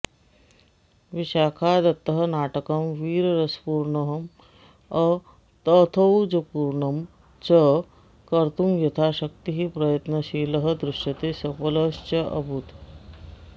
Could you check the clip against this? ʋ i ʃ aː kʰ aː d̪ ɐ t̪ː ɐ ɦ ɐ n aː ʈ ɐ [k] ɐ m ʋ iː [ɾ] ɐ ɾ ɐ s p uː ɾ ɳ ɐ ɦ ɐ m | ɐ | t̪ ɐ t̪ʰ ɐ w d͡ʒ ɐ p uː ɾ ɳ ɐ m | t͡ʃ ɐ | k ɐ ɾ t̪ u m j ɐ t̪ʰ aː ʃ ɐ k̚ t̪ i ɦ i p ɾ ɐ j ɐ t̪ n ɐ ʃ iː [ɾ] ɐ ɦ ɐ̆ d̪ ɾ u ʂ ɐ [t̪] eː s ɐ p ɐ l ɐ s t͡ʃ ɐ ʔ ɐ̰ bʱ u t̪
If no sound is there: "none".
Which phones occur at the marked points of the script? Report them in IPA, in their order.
k, ɾ, l, t̪

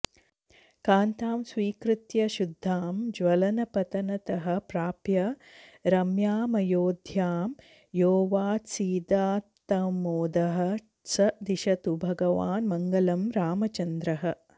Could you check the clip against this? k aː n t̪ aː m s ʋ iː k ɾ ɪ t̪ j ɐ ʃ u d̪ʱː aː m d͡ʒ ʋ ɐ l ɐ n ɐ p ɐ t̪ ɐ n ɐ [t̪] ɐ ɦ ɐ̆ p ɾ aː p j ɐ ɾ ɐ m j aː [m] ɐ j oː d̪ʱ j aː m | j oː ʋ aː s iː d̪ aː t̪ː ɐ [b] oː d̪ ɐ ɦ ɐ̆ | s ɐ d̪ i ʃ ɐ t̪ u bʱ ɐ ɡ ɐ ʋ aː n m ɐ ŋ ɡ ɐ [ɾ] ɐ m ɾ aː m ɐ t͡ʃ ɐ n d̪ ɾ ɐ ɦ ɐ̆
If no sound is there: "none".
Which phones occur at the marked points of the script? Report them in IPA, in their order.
t̪, m, m, l

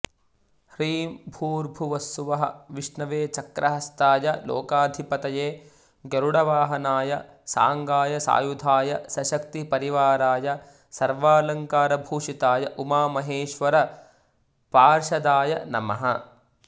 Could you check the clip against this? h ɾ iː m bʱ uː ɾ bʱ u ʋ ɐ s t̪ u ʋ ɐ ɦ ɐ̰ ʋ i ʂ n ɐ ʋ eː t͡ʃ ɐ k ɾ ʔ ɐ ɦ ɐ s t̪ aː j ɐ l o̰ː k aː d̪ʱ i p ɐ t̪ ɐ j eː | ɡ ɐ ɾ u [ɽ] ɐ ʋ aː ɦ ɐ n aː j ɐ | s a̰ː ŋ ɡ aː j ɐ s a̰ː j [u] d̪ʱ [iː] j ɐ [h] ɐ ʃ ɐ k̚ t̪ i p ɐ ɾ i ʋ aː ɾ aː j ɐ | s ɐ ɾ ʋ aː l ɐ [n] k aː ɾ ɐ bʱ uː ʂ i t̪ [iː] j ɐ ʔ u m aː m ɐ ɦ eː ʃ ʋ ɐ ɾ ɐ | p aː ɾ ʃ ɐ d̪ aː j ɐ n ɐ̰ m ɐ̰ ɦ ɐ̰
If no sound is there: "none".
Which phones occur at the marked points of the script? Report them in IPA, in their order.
ɽ, u, aː, s, ŋ, aː

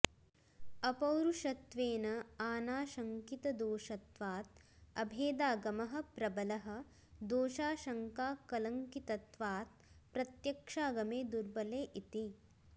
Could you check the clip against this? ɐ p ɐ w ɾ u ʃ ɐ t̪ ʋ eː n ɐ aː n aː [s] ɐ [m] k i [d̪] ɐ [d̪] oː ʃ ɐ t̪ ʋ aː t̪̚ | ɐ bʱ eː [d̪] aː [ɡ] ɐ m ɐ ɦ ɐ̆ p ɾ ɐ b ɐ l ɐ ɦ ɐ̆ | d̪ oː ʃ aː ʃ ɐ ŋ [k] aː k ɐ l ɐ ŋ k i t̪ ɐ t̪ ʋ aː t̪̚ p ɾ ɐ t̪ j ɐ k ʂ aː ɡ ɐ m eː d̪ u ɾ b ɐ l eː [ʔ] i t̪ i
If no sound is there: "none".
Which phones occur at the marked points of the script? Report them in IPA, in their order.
ʃ, ŋ, t̪, d̪, d̪, ɡ, k, ʔ

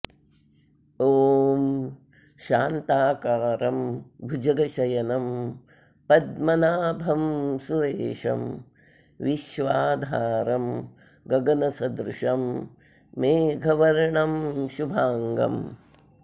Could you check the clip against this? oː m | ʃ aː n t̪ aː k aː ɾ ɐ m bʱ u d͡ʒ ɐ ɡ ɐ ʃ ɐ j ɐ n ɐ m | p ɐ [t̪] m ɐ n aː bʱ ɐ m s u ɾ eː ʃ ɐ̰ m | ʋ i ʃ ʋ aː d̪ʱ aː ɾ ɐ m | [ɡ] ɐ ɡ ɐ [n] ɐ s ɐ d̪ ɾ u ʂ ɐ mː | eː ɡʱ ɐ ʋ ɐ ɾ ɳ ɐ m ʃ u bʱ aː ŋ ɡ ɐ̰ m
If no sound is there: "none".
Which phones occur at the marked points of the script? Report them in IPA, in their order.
d̪, ɡ, n

